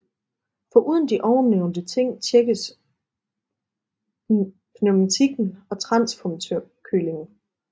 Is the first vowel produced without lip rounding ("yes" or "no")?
no